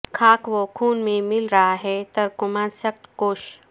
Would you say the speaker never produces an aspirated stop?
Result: no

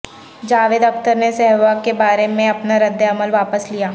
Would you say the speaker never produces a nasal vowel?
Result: no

